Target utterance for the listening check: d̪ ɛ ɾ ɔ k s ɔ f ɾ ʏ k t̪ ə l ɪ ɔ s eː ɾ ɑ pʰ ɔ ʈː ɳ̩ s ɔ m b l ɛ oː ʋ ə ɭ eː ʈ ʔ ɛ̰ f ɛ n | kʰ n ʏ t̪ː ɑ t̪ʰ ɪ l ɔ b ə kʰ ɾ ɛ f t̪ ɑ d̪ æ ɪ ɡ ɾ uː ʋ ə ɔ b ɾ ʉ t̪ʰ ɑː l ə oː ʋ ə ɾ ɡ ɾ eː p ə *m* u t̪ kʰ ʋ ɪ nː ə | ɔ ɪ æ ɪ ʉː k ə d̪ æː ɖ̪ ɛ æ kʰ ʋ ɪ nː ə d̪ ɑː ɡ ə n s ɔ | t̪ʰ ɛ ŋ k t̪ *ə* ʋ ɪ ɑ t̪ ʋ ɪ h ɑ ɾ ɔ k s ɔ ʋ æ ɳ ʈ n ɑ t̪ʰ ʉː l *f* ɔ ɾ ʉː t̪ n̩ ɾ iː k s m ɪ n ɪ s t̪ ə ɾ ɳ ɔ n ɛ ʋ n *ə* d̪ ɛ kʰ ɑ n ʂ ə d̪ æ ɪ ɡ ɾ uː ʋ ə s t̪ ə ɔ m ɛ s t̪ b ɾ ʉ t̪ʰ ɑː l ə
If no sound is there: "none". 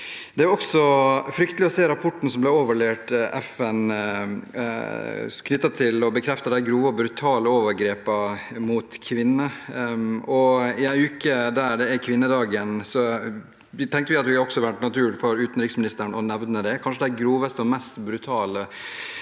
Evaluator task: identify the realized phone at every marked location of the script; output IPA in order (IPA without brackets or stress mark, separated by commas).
m, ə, f, ə